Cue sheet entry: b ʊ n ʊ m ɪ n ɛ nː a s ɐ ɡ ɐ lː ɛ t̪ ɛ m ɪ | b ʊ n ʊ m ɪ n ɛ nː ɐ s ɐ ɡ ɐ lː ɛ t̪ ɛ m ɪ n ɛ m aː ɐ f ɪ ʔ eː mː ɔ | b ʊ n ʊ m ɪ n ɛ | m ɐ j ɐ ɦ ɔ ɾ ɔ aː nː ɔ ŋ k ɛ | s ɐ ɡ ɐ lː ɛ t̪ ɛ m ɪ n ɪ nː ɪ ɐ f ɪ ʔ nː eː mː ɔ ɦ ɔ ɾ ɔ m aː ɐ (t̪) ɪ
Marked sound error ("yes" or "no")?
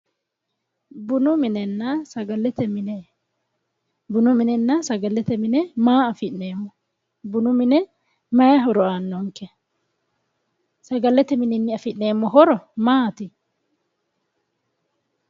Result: no